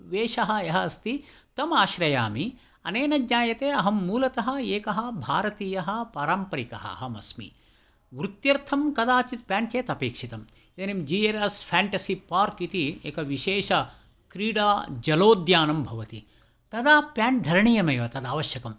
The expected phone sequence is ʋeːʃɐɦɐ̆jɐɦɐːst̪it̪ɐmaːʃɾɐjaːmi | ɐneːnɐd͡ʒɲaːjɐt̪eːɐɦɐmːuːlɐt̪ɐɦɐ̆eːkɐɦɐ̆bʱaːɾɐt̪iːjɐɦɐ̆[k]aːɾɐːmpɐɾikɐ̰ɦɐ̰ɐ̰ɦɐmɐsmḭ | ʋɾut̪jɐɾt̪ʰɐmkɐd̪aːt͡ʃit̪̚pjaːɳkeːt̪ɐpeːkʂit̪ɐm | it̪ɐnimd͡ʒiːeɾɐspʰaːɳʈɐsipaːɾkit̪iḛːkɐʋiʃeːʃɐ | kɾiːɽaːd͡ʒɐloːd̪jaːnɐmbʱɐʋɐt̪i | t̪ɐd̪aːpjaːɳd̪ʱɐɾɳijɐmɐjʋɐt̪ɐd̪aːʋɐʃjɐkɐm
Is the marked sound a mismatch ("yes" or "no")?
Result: yes